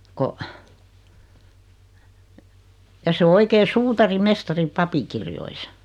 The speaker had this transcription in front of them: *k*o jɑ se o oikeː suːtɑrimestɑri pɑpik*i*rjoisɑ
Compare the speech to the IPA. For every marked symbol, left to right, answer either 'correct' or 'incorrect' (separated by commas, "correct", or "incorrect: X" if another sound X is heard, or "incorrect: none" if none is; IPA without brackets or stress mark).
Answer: correct, correct